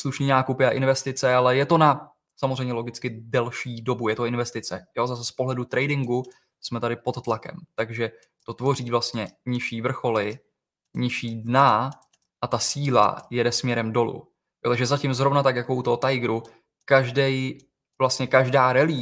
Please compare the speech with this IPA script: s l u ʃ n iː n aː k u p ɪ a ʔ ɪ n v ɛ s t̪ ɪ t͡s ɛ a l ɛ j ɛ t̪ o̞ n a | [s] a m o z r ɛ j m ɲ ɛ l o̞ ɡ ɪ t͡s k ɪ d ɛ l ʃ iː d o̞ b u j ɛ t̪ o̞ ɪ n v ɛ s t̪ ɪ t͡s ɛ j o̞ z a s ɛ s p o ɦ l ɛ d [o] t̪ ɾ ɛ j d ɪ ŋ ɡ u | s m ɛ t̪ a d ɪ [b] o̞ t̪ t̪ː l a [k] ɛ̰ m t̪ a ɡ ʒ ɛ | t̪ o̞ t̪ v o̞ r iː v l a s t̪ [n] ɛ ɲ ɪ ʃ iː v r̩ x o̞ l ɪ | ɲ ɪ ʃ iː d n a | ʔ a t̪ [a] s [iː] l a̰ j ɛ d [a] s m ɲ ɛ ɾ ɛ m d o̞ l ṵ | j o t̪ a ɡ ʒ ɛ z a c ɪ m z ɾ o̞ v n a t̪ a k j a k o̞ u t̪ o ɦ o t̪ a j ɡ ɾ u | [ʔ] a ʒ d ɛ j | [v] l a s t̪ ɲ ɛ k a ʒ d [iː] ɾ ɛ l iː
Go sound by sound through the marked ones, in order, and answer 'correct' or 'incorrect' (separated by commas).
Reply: correct, incorrect, incorrect, correct, incorrect, correct, correct, incorrect, incorrect, correct, incorrect